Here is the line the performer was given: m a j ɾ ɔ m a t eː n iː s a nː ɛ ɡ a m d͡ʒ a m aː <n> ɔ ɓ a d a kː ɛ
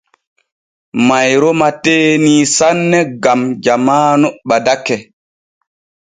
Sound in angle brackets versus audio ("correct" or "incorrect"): correct